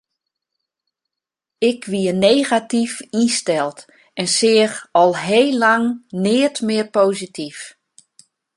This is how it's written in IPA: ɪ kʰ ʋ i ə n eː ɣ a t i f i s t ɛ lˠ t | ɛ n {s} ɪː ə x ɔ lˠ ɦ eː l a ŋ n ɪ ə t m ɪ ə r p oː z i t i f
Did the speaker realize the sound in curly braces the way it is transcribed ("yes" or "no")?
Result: yes